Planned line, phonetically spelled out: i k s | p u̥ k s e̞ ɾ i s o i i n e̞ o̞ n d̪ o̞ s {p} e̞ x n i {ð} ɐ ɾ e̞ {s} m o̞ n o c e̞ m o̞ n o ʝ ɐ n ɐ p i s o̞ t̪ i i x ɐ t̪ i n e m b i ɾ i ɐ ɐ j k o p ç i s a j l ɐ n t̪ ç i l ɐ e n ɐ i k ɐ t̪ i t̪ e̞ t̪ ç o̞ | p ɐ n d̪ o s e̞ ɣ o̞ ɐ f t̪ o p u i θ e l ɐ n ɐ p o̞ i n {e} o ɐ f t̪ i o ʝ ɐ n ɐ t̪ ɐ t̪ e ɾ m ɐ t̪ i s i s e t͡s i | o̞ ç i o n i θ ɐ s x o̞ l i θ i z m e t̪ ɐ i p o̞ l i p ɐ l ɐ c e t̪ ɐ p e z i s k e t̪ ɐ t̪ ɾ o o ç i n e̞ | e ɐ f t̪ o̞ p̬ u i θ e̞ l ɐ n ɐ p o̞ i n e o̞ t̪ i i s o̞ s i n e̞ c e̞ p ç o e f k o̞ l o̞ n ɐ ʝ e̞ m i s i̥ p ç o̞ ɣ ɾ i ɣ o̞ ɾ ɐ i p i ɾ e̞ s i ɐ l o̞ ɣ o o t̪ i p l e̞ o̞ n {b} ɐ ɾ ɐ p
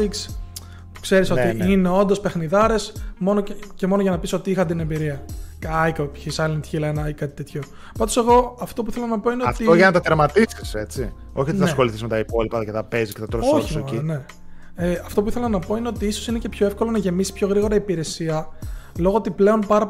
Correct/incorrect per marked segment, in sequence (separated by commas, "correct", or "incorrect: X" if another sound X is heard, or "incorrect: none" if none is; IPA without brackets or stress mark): correct, correct, correct, correct, incorrect: p